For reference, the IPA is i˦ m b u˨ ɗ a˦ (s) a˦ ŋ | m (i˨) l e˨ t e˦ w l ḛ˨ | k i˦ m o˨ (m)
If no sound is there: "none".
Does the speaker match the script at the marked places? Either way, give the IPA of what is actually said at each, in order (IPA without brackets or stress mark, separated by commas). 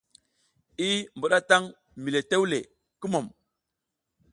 t, i˨, m